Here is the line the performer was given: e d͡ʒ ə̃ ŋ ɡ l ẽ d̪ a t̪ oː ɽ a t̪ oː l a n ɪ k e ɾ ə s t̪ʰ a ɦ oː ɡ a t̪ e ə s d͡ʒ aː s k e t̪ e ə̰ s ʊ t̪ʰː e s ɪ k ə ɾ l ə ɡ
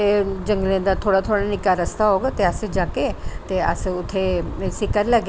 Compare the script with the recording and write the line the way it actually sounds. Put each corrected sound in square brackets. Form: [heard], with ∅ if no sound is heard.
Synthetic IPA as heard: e d͡ʒ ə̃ ŋ ɡ l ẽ d̪ a [t̪ʰ] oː ɽ a [t̪ʰ] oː [ɽ] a n ɪ k [a] ɾ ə s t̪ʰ a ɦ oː ɡ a t̪ e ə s d͡ʒ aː [∅] k e t̪ e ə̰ s ʊ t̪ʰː e s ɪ k ə ɾ l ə ɡ